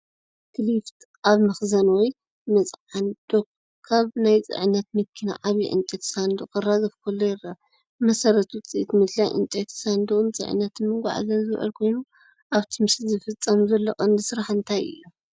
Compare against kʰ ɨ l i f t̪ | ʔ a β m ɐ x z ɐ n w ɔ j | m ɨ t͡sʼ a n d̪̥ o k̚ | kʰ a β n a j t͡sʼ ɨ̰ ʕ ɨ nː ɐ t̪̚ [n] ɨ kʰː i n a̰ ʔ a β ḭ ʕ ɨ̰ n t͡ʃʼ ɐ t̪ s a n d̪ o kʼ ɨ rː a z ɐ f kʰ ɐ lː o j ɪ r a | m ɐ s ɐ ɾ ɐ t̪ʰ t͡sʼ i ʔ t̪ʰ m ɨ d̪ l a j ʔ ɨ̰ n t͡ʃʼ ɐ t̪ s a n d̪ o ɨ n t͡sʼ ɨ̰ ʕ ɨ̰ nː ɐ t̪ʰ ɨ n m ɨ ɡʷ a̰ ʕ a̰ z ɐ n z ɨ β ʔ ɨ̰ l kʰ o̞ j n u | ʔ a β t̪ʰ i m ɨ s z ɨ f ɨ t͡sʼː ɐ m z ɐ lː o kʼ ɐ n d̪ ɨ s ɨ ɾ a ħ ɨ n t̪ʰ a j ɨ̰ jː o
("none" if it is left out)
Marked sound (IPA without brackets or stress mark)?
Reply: m